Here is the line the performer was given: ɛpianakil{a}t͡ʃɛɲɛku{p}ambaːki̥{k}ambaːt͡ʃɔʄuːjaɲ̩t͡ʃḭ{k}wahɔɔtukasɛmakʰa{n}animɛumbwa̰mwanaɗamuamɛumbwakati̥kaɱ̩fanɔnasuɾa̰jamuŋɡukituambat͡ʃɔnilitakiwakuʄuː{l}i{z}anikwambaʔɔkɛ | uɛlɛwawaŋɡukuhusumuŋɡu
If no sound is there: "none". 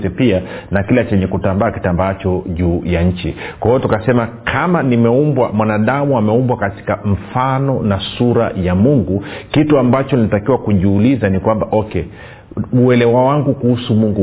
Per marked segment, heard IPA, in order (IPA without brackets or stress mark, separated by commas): a, t, t, k, m, l, z